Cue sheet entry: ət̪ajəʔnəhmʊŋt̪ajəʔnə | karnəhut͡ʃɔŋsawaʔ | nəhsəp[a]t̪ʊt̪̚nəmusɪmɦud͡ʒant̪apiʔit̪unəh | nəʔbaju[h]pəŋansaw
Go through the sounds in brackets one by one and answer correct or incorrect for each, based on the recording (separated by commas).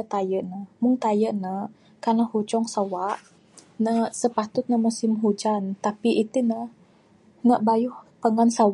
correct, correct